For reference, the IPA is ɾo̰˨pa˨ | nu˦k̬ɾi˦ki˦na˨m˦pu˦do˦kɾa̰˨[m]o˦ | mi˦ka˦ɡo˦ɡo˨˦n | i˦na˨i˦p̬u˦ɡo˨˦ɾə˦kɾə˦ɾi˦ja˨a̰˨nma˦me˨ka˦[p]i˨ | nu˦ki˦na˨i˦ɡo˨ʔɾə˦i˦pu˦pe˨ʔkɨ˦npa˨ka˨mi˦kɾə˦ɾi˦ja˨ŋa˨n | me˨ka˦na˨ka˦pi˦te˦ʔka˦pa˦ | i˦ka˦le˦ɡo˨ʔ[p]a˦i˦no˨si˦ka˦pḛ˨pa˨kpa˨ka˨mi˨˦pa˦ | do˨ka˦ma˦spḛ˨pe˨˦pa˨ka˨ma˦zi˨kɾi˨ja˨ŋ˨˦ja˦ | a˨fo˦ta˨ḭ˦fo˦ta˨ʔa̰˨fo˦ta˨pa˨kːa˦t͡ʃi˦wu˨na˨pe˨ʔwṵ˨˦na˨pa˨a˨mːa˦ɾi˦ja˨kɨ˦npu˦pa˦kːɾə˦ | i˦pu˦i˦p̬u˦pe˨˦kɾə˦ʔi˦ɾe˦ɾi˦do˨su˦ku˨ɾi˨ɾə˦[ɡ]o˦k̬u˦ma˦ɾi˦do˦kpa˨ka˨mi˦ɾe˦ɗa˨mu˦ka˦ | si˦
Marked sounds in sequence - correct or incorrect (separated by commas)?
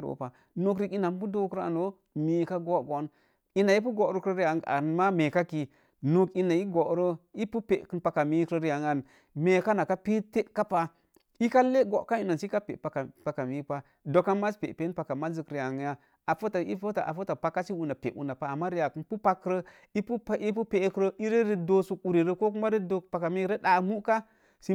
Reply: incorrect, incorrect, incorrect, incorrect